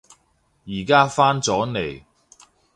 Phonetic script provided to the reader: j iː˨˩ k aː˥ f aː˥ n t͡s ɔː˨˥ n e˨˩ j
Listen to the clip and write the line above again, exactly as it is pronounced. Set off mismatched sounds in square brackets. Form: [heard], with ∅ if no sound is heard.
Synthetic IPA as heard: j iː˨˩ k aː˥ f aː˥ n t͡s ɔː˨˥ n e˨˩ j